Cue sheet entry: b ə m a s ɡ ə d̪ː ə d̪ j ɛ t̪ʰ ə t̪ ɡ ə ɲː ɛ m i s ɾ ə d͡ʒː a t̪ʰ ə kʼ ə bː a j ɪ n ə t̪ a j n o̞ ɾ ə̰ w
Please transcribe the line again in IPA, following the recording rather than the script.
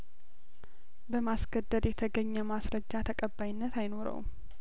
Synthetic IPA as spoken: b ə m a s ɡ ə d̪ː ə d̪ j ɛ t̪ʰ ə ɡ ə ɲː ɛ m a s ɾ ə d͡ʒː a t̪ʰ ə kʼ ə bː a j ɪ nː ə t̪ a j n o̞ ɾ ə̰ w

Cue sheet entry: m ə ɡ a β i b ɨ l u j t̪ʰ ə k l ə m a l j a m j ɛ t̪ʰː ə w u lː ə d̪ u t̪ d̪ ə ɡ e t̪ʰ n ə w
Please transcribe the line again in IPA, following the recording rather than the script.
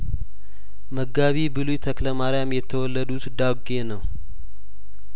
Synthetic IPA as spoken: m ə ɡ a β i b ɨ l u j t̪ʰ ə k l ə m a ɾ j a m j ɛ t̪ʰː ə w ɔ lː ə d̪ u t̪ d̪ a ɡ e n ə w

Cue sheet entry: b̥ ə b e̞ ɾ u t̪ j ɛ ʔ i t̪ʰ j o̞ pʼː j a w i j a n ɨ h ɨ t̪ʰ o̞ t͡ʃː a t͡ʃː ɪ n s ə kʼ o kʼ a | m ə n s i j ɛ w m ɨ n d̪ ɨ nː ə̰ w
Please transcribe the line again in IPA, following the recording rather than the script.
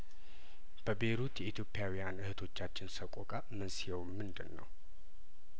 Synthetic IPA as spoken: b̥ ə b e̞ ɾ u t̪ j ɛ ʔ i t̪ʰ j o̞ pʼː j a w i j a n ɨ h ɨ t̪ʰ o̞ t͡ʃː a t͡ʃː ɪ n s ə kʼ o kʼ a | m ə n s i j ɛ w m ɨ n d̪ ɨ nː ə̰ w

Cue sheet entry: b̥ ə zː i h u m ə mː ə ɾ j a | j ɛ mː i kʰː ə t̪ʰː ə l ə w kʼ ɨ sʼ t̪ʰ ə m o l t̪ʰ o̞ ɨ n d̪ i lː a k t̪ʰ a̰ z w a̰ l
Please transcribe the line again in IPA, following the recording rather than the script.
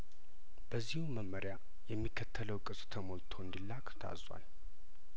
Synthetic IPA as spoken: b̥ ə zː i h u m ə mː ə ɾ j a | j ɛ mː i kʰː ə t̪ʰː ə l ə w kʼ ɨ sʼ t̪ʰ ə m o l t̪ʰ o̞ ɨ n d̪ i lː a k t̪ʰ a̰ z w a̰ l

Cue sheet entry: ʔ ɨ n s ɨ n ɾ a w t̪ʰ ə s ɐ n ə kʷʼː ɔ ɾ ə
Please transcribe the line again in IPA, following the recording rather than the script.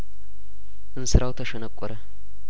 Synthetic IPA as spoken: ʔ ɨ n s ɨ ɾ a w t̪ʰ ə ʃ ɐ n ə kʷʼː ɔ ɾ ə

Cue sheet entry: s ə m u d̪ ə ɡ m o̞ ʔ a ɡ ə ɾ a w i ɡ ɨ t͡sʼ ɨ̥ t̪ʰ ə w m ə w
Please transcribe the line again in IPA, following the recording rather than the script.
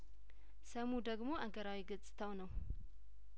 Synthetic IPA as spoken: s ə m u d̪ ə ɡ m o̞ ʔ a ɡ ə ɾ a w i ɡ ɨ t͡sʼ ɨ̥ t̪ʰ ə w n ə w

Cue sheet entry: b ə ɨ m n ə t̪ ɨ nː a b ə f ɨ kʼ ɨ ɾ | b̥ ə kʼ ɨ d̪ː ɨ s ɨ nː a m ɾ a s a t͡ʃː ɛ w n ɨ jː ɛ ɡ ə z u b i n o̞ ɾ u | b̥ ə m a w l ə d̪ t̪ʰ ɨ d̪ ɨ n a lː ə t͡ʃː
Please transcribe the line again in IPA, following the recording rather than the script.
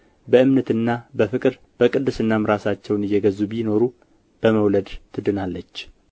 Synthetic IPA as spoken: b ə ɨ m n ə t̪ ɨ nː a b ə f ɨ kʼ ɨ ɾ | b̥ ə kʼ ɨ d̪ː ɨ s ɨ nː a m ɾ a s a t͡ʃː ɛ w n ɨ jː ɛ ɡ ə z u b i n o̞ ɾ u | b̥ ə m ə w l ə d̪ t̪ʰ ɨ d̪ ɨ n a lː ə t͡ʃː

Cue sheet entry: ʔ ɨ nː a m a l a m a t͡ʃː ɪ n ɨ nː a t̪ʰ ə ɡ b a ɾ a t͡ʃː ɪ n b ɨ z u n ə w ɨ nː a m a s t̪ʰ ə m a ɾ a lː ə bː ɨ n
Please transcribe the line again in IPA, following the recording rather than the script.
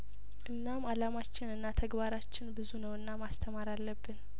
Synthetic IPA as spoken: ʔ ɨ nː a m a l a m a t͡ʃː ɪ n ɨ nː a t̪ʰ ə ɡ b a ɾ a t͡ʃː ɪ n b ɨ z u n ə w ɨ nː a m a s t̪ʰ ə m a ɾ a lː ə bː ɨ n

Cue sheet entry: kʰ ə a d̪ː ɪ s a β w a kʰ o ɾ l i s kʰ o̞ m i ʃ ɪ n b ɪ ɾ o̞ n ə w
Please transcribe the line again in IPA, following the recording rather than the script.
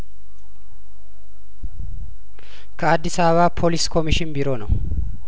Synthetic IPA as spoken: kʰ ə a d̪ː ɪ s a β β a pʰ o l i s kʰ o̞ m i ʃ ɪ n b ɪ ɾ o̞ n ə w

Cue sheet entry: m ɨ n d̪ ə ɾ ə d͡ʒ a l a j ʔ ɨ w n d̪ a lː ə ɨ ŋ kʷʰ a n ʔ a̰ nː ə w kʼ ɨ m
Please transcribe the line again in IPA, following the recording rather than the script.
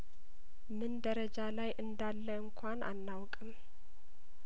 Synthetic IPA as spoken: m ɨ n d̪ ə ɾ ə d͡ʒ a l a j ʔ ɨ n d̪ a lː ə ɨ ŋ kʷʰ a n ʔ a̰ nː a w kʼ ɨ m

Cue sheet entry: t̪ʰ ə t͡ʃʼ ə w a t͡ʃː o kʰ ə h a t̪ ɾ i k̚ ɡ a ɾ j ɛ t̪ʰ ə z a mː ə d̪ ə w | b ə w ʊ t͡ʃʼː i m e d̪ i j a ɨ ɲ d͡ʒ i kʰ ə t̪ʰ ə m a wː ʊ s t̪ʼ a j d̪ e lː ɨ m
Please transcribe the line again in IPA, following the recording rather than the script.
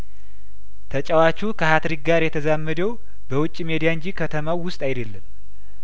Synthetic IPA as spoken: t̪ʰ ə t͡ʃʼ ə w a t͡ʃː u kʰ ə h a t̪ ɾ i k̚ ɡ a ɾ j ɛ t̪ʰ ə z a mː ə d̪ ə w | b ə w ʊ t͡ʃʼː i m e d̪ i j a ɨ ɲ d͡ʒ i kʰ ə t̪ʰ ə m a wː ʊ s t̪ʼ a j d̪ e lː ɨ m

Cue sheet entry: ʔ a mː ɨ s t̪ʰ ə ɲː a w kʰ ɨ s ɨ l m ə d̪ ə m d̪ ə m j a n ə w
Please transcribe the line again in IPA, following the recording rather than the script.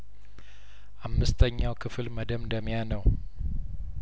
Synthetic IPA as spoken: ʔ a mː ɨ s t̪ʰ ə ɲː a w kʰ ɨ f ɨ l m ə d̪ ə m d̪ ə m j a n ə w

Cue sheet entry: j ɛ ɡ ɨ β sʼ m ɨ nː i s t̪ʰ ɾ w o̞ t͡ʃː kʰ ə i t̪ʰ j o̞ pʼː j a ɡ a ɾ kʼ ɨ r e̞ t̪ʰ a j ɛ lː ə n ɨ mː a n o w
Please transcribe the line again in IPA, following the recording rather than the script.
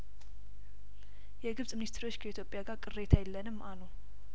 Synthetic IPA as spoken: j ɛ ɡ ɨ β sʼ m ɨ n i s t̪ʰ ɾ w o̞ t͡ʃː kʰ ə i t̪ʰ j o̞ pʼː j a ɡ a ɾ kʼ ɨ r e̞ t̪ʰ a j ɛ lː ə n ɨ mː a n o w

